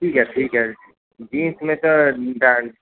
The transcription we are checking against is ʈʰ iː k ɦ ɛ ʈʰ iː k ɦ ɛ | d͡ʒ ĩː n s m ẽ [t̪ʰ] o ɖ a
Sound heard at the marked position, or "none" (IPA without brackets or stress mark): t̪